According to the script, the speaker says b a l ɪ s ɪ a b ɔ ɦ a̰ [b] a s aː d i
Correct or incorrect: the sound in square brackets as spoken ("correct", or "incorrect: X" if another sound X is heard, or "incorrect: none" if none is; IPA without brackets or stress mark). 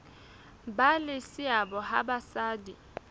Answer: correct